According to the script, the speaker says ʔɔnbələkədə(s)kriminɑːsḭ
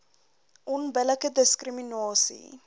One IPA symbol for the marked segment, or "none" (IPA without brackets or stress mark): s